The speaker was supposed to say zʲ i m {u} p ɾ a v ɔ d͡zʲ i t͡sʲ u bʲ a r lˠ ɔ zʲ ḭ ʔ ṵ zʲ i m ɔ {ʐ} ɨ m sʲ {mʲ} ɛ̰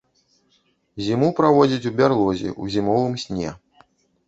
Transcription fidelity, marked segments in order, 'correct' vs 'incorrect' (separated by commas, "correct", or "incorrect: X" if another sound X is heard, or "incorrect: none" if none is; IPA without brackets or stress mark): correct, incorrect: v, incorrect: nʲ